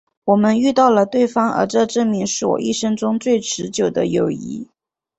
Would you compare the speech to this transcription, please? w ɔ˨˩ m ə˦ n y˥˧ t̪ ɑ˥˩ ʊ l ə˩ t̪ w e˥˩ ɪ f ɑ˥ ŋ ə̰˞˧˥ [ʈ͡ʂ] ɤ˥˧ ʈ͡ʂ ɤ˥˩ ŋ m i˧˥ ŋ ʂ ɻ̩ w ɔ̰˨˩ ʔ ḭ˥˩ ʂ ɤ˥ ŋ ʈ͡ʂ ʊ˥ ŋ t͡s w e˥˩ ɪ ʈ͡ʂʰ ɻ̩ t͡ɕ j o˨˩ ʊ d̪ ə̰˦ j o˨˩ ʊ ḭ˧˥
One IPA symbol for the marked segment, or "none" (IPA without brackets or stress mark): ʈ͡ʂ